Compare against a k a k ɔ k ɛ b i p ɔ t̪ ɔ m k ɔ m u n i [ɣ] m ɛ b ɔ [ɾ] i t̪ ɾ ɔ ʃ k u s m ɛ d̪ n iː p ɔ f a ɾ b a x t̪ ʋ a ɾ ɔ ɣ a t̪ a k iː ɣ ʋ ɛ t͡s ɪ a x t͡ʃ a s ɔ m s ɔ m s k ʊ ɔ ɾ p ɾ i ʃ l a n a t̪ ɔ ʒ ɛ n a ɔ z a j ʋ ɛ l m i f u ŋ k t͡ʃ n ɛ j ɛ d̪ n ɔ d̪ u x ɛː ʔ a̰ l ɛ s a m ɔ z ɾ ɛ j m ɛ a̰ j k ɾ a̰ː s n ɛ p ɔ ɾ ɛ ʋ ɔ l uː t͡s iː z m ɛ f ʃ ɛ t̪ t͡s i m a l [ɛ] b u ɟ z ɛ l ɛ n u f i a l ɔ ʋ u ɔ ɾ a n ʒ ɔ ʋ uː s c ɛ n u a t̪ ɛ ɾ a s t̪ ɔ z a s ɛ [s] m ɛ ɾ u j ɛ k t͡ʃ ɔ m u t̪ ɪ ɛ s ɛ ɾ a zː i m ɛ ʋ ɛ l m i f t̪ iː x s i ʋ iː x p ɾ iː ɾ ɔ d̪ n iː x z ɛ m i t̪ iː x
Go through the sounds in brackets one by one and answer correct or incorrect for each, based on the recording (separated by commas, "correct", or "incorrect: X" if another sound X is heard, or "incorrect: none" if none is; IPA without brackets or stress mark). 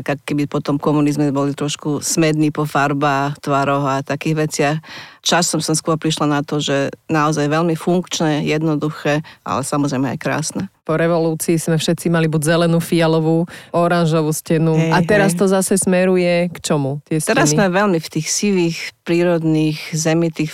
incorrect: z, incorrect: l, incorrect: i, correct